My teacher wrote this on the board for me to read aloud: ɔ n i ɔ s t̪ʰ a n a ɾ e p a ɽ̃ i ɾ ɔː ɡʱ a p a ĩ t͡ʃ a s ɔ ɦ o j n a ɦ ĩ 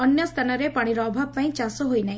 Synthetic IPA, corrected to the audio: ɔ n j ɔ s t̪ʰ a n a ɾ e p a ɽ̃ i ɾ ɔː bʱ a p a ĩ t͡ʃ a s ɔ ɦ o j n a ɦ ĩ